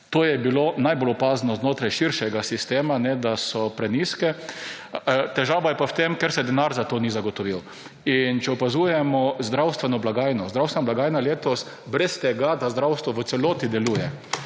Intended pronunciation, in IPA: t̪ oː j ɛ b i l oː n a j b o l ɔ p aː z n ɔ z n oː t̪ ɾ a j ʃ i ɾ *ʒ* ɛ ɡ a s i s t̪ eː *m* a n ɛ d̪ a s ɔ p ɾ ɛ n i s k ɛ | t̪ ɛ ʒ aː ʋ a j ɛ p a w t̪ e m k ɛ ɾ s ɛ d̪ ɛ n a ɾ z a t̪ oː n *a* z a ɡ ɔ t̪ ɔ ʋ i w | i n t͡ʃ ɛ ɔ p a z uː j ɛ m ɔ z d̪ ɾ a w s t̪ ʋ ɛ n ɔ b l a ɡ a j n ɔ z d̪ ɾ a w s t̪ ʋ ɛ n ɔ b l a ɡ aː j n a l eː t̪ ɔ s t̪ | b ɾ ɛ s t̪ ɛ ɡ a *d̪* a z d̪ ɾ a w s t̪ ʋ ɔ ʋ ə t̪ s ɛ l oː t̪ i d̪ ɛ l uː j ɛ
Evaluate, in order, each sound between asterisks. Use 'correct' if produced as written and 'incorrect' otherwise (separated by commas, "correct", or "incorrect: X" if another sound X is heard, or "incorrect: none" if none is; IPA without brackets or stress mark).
incorrect: ʃ, correct, incorrect: i, correct